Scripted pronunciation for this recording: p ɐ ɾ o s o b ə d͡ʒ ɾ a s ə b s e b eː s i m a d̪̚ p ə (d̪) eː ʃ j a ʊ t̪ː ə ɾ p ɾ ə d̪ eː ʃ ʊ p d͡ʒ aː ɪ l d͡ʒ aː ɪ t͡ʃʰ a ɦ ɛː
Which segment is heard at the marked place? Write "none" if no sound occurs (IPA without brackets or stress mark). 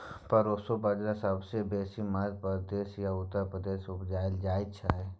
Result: d̪